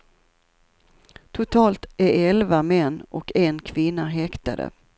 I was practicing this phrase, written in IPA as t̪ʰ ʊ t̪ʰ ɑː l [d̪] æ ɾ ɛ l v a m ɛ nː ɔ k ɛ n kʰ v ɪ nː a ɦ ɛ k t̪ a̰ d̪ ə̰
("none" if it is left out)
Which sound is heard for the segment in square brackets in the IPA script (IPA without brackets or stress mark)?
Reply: t̪